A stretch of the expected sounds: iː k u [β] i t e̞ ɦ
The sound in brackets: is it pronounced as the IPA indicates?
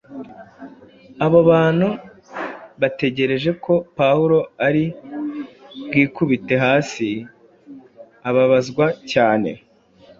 yes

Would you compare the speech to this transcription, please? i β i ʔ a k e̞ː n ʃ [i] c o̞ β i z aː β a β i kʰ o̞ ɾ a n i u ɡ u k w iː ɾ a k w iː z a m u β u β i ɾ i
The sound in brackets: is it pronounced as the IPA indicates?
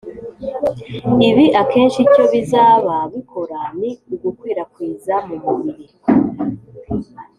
yes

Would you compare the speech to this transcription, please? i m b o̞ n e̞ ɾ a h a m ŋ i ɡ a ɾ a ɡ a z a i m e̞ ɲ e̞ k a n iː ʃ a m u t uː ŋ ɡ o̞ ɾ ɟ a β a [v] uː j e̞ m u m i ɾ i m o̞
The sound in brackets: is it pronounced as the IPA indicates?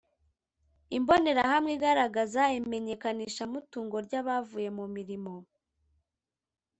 yes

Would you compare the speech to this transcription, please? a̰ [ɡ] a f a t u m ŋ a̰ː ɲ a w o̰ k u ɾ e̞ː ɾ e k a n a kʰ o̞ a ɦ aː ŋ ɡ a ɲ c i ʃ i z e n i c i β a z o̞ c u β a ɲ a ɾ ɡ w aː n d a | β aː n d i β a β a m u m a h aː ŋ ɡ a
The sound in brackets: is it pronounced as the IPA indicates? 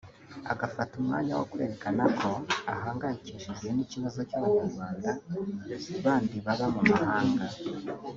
yes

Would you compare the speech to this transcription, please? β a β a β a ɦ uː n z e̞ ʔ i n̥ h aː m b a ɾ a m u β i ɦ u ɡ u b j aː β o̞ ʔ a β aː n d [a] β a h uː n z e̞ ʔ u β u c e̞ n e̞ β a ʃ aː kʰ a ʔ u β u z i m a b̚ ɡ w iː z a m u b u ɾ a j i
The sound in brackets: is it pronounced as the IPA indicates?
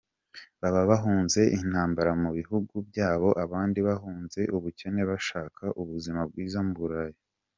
no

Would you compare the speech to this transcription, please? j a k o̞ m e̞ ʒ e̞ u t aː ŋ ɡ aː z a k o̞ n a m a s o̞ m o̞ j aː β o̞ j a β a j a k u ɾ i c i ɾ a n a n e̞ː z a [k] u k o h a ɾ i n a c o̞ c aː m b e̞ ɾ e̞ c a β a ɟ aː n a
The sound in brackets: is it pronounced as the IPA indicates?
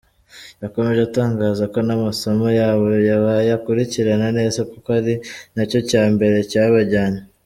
yes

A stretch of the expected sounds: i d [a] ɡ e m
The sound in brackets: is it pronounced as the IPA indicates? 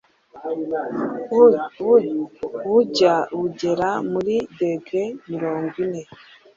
no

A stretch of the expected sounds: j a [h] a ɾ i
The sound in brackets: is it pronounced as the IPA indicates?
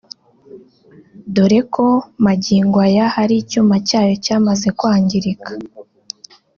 yes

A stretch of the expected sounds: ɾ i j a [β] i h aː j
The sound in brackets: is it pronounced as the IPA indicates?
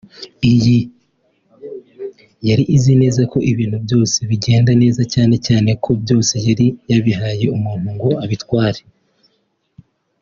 yes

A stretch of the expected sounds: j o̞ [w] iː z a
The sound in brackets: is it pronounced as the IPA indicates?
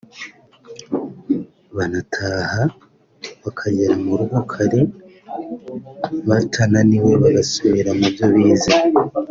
no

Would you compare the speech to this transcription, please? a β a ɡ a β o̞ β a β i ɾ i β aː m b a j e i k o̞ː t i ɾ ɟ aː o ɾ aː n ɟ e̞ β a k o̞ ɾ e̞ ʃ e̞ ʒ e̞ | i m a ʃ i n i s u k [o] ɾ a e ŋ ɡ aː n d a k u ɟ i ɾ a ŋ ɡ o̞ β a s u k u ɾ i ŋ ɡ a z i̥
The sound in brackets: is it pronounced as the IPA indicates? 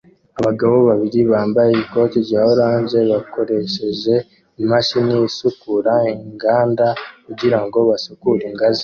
no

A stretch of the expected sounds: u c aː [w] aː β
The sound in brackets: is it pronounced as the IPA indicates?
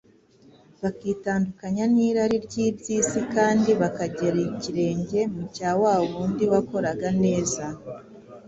yes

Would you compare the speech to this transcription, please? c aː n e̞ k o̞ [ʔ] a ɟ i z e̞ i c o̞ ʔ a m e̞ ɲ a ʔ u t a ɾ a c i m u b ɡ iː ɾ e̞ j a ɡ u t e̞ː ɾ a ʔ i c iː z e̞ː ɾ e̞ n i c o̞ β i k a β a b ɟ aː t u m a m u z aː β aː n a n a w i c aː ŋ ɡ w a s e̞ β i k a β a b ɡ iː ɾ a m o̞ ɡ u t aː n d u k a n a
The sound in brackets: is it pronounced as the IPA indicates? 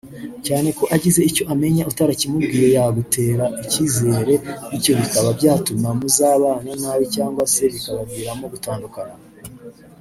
yes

